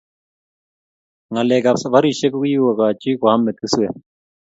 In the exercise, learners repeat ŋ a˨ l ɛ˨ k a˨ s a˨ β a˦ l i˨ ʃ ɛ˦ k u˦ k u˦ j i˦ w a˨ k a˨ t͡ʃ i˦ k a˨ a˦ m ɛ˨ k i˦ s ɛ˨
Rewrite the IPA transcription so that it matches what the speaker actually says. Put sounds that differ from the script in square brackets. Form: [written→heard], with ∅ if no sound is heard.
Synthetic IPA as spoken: ŋ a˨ l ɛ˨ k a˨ s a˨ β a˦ [l→ɾ] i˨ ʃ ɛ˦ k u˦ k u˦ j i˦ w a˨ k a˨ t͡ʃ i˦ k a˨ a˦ m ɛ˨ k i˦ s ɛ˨